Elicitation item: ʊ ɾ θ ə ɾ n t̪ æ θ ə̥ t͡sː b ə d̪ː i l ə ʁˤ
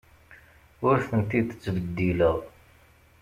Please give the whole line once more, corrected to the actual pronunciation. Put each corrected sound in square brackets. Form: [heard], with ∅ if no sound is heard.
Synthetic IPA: ʊ ɾ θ ə [∅] n t̪ [i] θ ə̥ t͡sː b ə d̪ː i l ə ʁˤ